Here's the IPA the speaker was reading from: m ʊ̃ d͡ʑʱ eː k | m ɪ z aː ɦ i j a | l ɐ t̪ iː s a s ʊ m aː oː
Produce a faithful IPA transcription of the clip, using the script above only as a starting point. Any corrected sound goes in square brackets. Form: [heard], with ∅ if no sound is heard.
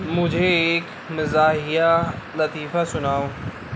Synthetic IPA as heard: m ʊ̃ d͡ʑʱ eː k | m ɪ z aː ɦ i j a | l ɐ t̪ iː [f] a s ʊ [n] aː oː